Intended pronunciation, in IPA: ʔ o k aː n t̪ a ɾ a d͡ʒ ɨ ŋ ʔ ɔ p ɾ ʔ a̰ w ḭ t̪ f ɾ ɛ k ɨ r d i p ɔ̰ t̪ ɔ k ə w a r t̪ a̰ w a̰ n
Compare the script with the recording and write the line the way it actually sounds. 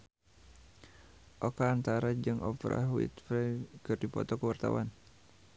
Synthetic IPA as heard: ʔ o k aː n t̪ a ɾ a d͡ʒ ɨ ŋ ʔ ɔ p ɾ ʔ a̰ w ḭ t̪ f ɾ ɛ k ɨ r d i p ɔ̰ t̪ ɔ k ə w a r t̪ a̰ w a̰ n